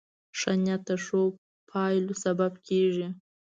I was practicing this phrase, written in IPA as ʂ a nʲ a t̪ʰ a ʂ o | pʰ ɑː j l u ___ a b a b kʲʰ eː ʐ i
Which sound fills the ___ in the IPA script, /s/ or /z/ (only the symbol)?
s